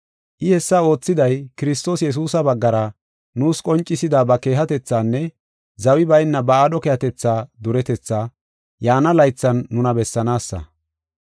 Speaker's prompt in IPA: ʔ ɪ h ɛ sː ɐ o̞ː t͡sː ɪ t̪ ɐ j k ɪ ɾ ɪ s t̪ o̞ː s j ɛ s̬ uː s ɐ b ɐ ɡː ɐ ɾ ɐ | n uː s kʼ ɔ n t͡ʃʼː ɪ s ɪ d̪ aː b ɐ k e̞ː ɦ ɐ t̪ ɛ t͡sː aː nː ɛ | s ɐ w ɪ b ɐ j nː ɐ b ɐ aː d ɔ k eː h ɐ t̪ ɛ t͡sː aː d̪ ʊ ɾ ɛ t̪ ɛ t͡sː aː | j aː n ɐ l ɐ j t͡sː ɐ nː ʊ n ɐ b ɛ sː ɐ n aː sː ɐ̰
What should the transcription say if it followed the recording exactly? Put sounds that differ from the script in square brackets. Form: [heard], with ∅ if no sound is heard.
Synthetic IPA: ʔ ɪ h ɛ sː ɐ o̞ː t͡sː ɪ [d̪] ɐ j k ɪ ɾ ɪ s t̪ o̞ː s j ɛ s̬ uː s ɐ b ɐ ɡː ɐ ɾ ɐ | n uː s kʼ ɔ n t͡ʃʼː ɪ s ɪ d̪ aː b ɐ k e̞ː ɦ ɐ t̪ ɛ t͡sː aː nː ɛ | [z] ɐ w ɪ b ɐ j nː ɐ b ɐ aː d ɔ k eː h ɐ t̪ ɛ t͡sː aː d̪ ʊ ɾ ɛ t̪ ɛ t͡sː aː | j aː n ɐ l ɐ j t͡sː ɐ nː ʊ n ɐ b ɛ sː ɐ n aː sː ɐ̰

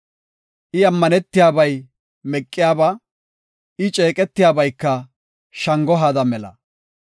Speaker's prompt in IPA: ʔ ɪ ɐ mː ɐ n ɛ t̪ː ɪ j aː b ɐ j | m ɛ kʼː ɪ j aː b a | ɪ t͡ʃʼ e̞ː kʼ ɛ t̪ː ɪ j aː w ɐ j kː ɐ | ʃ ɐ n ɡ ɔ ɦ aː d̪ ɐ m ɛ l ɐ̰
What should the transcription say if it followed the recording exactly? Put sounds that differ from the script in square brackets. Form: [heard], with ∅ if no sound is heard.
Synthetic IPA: ʔ ɪ ɐ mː ɐ n ɛ t̪ː ɪ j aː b ɐ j | m ɛ kʼː ɪ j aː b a | ɪ t͡ʃʼ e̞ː kʼ ɛ t̪ː ɪ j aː [b] ɐ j kː ɐ | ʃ ɐ [ŋ] ɡ ɔ ɦ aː d̪ ɐ m ɛ l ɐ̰

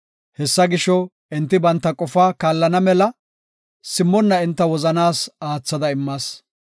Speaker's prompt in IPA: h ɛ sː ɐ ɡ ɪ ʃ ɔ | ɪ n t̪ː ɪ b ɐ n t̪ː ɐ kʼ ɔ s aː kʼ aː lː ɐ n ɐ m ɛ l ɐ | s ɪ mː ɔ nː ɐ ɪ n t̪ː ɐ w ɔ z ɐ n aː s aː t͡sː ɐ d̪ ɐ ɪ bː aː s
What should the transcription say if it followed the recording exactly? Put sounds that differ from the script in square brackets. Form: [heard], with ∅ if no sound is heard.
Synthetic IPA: h ɛ sː ɐ ɡ ɪ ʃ ɔ | ɪ n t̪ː ɪ b ɐ n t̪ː ɐ kʼ ɔ [f] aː [k] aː lː ɐ n ɐ m ɛ l ɐ | s ɪ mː ɔ nː ɐ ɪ n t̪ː ɐ w ɔ z ɐ n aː s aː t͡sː ɐ d̪ ɐ ɪ [mː] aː s

